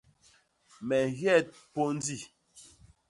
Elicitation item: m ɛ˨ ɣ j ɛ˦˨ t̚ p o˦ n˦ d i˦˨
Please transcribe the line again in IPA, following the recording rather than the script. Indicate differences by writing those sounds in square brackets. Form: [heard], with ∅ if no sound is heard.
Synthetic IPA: m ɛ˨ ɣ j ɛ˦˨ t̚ p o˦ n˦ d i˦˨